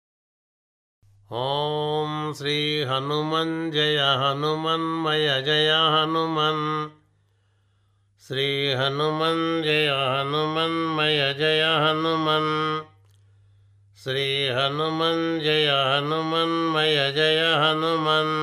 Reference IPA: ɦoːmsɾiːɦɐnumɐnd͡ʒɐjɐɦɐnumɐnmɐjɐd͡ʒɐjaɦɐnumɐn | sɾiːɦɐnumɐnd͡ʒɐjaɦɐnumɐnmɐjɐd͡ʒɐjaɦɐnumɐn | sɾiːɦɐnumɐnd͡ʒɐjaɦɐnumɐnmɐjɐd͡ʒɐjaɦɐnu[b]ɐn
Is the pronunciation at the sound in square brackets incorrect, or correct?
incorrect